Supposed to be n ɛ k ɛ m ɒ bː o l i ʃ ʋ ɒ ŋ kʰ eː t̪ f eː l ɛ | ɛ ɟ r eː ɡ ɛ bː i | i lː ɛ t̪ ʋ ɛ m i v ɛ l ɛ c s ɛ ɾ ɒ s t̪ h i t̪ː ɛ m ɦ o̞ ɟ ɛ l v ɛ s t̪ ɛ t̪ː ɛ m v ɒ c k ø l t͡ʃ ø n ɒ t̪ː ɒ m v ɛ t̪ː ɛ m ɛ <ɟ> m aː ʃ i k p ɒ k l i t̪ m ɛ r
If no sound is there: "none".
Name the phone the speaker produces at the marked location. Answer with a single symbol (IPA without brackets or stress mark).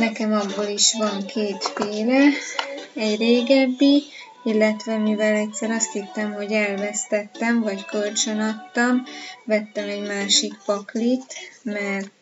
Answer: ɟ